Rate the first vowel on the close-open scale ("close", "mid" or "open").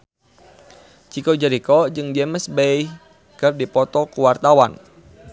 close